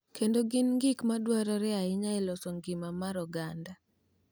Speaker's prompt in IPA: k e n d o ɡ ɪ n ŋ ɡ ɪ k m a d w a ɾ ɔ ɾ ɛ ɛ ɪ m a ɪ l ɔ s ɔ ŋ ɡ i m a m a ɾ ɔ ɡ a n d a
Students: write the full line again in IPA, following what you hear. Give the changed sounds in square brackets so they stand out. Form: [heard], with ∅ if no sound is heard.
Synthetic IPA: k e n d o ɡ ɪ n ŋ ɡ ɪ k m a d w a ɾ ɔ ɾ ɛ [a] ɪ [ɲ] a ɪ l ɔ s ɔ ŋ ɡ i m a m a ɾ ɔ ɡ a n d a